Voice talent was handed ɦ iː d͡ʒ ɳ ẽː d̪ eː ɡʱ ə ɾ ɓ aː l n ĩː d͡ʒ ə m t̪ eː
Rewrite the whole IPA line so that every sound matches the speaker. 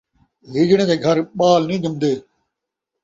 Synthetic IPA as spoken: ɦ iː d͡ʒ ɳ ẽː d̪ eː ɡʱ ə ɾ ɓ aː l n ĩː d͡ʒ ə m d̪ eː